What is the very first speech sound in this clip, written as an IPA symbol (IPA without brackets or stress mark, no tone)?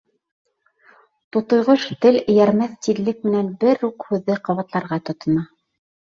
t̪